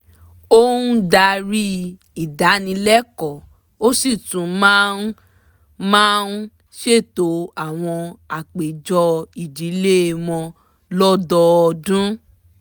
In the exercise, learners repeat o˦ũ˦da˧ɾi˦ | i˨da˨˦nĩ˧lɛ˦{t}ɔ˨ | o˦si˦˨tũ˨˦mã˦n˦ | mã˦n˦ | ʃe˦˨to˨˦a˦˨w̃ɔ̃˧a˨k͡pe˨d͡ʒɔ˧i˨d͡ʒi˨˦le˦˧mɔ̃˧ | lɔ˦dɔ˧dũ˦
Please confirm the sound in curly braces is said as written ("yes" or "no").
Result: no